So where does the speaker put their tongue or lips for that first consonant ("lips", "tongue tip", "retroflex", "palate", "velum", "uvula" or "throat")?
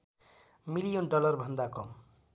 lips